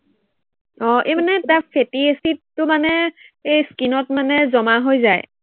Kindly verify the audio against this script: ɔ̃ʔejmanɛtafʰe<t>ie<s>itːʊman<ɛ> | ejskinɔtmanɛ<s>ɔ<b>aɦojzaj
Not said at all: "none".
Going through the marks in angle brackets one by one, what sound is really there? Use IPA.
t, s, ɛ, z, m

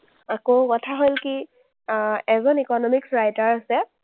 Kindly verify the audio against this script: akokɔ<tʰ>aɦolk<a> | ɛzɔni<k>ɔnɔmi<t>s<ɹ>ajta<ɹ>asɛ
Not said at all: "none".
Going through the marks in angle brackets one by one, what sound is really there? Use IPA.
tʰ, i, k, k, ɹ, ɹ

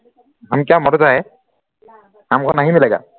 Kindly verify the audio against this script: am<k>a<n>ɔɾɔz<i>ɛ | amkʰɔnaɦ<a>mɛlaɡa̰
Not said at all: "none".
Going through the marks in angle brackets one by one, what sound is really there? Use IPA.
k, m, a, i

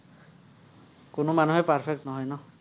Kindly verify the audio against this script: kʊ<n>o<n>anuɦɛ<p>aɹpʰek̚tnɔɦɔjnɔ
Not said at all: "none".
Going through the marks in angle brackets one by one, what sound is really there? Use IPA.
n, m, p

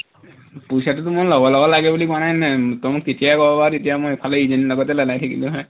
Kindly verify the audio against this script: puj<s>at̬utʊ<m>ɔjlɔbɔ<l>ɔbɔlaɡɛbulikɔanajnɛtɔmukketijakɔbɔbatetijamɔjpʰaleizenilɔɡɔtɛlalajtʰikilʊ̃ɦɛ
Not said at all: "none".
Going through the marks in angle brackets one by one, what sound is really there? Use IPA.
s, m, l

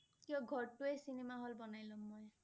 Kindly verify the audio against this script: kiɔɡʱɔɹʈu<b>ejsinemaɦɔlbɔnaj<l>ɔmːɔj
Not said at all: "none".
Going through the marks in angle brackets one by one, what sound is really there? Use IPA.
none, l

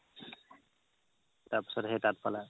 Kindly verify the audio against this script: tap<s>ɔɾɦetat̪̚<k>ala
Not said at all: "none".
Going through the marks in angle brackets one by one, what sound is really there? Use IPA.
s, p

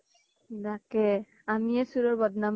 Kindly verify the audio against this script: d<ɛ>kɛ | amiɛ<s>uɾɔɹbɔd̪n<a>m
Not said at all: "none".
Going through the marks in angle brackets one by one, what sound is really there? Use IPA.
a, s, a

